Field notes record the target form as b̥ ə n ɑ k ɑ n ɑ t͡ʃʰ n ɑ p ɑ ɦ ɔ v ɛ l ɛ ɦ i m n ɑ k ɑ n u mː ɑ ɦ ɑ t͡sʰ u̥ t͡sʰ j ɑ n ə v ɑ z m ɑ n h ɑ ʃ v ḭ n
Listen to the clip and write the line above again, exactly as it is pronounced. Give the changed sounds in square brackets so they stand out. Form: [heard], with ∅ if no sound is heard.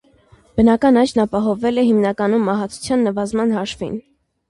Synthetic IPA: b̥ ə n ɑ k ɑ n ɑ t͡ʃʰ n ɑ p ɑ ɦ ɔ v ɛ l ɛ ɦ i m n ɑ k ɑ n u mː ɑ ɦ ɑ t͡sʰ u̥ t͡sʰ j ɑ [nː] ə v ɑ z m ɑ n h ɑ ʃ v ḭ n